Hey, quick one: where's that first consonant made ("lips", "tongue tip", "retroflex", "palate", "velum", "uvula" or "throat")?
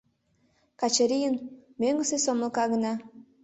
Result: velum